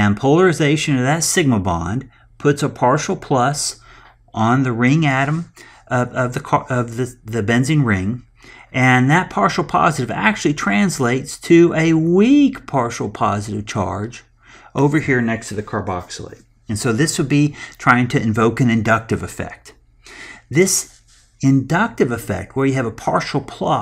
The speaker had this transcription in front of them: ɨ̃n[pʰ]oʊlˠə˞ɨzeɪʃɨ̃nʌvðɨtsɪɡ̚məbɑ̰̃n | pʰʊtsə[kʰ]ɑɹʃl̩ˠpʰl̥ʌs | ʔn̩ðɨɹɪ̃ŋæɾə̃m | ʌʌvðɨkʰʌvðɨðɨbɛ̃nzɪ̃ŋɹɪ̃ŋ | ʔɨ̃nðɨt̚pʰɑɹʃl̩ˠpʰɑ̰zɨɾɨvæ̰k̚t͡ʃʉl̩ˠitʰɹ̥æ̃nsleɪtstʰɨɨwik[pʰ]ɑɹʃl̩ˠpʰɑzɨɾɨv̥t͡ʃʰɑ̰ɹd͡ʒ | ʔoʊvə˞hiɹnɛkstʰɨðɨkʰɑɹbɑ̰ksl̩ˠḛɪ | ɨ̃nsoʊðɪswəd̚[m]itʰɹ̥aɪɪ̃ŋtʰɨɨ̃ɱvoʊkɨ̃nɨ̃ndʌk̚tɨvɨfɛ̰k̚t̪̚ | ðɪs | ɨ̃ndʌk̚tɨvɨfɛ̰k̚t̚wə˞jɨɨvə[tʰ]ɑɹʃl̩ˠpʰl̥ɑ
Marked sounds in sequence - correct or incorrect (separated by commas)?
correct, incorrect, correct, incorrect, incorrect